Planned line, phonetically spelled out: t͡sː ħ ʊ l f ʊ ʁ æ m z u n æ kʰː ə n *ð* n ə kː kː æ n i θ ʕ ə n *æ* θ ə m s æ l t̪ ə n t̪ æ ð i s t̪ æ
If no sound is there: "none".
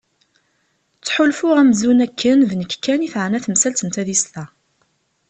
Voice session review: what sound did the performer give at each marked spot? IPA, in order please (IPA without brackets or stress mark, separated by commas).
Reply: ð, æ